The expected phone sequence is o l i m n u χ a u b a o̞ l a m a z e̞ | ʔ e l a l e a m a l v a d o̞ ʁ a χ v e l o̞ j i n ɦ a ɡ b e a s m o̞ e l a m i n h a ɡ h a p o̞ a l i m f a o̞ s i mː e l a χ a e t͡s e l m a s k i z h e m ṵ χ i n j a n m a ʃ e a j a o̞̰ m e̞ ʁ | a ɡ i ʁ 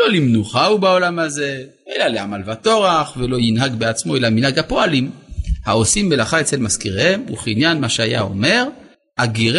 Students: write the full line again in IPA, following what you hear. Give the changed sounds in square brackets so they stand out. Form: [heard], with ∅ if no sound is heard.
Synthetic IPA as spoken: o l i m n u χ a u b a o̞ l a m a z e̞ | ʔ e l a l e a m a l v a [t] o̞ ʁ a χ v e l o̞ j i n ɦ a ɡ b e a [t͡s] m o̞ e l a m i n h a ɡ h a p o̞ a l i m [h] a o̞ s i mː e l a χ a e t͡s e l m a s k i [ʁ] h e m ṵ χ i n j a n m a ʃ e a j a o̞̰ m e̞ ʁ | a ɡ i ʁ